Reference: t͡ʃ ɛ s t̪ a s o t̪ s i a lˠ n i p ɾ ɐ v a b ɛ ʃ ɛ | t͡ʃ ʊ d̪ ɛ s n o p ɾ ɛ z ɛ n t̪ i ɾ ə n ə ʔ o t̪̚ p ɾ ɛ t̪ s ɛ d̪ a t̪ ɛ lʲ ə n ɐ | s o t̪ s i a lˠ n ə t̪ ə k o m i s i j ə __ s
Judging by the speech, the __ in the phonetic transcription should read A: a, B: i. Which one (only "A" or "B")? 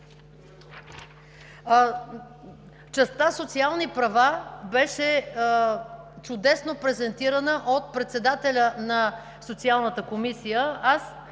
A